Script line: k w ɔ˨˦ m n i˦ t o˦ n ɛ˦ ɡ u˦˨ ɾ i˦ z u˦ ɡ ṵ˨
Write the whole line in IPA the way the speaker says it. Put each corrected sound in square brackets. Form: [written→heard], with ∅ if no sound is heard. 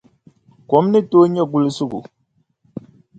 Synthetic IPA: k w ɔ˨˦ m n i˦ t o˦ [n→ɲ] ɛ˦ ɡ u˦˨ [ɾ→l] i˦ [z→s] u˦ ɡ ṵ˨